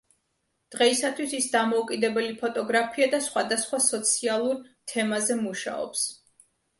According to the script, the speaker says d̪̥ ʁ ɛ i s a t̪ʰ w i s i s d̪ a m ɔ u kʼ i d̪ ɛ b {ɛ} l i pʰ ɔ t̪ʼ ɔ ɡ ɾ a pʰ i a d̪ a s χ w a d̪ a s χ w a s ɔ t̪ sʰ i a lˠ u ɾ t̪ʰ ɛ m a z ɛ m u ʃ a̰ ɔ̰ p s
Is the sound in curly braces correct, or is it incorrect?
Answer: correct